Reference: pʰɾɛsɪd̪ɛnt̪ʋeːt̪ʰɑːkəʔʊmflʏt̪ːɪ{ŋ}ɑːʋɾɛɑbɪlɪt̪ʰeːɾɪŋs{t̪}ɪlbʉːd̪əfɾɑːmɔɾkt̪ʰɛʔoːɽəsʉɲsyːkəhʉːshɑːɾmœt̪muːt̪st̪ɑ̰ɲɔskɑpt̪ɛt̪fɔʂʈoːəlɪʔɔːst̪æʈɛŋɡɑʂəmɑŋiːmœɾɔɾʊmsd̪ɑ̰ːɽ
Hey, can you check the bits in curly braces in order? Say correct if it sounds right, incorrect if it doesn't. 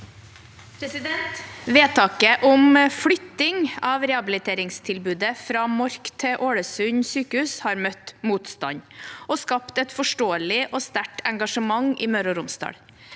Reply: correct, incorrect

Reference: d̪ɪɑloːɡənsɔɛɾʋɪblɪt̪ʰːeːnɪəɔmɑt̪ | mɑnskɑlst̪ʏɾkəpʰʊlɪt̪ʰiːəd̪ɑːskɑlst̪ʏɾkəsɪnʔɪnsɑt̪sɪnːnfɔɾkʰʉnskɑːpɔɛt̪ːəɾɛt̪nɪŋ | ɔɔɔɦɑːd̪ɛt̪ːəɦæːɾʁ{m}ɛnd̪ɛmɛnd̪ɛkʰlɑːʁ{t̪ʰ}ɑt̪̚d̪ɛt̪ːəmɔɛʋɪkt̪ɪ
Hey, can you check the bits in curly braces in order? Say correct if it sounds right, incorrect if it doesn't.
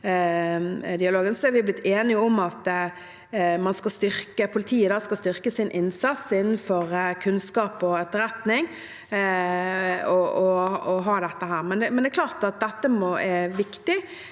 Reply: correct, incorrect

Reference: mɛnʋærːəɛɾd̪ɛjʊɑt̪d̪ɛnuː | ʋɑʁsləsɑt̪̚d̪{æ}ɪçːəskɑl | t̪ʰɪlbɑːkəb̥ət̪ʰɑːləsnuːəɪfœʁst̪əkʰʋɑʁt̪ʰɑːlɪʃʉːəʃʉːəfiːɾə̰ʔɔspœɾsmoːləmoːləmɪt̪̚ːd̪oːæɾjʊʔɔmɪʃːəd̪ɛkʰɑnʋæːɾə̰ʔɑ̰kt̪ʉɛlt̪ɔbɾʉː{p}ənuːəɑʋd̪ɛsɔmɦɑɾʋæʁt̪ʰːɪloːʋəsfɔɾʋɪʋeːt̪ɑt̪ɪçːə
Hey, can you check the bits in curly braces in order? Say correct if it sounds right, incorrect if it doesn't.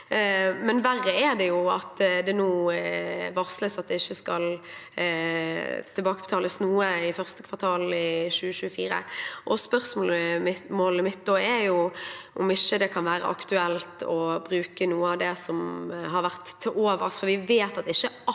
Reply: incorrect, incorrect

